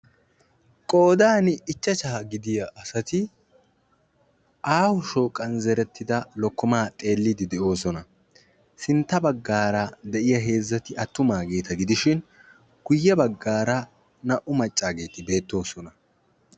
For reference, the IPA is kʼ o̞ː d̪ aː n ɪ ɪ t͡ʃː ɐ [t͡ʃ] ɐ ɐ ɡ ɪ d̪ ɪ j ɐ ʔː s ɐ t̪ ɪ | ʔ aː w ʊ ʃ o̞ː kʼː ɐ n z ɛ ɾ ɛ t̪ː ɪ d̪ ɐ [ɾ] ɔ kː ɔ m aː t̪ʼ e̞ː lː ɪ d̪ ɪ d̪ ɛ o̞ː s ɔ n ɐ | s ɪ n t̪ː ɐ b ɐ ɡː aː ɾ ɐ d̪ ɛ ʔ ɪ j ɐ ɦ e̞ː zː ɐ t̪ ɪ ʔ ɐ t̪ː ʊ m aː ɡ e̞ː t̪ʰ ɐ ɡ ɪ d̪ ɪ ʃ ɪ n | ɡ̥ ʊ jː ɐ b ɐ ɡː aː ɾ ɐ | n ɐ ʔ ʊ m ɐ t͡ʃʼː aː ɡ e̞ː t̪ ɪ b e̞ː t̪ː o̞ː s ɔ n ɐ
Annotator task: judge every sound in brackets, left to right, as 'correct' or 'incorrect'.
correct, incorrect

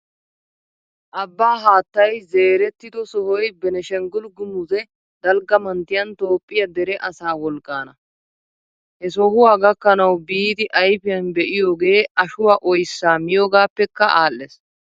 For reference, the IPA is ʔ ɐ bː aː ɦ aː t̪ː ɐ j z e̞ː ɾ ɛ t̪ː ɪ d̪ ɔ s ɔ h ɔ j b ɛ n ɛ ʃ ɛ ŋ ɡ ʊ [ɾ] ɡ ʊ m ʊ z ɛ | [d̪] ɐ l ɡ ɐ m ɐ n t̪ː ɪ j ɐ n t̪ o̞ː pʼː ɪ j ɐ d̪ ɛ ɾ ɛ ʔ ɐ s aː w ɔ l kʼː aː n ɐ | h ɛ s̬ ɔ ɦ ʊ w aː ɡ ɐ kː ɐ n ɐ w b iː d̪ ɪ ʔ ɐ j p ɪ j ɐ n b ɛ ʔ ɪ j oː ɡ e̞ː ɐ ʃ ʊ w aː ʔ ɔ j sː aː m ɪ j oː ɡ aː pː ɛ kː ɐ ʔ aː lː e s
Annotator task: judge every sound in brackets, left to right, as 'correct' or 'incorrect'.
incorrect, correct

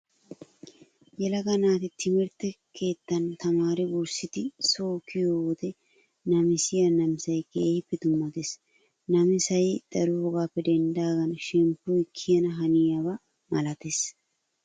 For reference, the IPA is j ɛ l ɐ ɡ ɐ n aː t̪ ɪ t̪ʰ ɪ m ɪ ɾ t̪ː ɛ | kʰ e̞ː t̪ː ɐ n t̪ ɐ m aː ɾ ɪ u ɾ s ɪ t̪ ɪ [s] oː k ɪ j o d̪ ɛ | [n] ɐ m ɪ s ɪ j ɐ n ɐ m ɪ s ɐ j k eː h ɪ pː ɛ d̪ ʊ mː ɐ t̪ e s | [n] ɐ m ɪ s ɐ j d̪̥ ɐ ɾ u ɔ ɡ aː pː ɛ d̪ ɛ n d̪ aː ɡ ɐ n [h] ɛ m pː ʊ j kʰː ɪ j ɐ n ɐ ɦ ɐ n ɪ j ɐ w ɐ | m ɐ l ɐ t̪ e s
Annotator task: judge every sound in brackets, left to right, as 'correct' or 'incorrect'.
correct, correct, correct, incorrect

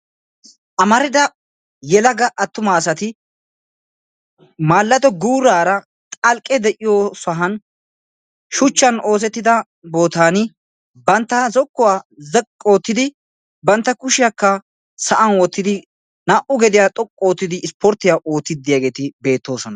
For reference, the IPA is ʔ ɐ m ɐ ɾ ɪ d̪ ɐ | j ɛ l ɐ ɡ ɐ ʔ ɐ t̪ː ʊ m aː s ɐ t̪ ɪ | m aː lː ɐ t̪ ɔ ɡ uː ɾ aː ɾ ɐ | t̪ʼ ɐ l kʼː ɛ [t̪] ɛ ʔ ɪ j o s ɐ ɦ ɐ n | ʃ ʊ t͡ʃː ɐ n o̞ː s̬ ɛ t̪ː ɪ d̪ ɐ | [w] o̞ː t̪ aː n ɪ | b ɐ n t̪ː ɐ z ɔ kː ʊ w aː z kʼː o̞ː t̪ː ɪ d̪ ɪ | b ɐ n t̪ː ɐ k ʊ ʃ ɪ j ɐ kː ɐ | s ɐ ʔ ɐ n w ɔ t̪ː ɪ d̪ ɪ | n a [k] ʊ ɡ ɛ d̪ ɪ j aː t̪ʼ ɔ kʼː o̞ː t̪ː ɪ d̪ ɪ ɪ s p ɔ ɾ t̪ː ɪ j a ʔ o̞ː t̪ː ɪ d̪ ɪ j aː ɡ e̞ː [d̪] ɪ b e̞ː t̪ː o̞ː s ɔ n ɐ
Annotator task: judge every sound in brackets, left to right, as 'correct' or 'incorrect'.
incorrect, incorrect, incorrect, incorrect

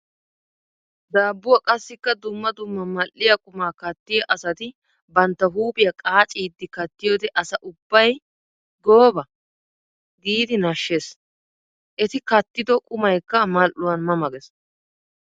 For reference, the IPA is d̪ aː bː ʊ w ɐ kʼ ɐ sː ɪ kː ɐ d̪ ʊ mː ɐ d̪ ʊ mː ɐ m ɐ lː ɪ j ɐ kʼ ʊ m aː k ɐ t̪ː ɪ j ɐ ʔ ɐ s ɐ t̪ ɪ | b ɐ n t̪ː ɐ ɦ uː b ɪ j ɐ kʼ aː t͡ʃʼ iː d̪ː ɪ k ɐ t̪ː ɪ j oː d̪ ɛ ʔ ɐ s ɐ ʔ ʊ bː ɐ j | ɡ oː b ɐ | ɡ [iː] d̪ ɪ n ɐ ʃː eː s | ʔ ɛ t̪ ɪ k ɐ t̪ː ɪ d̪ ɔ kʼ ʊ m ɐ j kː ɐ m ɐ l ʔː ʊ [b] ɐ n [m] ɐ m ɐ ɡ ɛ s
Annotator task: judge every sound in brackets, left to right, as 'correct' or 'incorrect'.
correct, incorrect, correct

